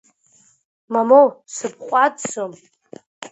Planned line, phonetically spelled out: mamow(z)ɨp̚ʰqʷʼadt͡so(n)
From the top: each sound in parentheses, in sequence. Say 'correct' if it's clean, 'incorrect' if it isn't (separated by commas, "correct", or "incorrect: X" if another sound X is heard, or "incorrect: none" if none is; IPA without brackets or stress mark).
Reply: incorrect: s, incorrect: m